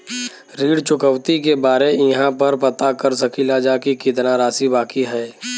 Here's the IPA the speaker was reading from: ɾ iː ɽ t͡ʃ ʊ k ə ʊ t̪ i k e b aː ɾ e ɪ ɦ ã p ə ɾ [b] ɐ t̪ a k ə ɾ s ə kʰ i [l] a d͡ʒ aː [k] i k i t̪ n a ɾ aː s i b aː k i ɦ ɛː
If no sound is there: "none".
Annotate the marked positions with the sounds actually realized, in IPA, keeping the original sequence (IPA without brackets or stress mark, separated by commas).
p, l, k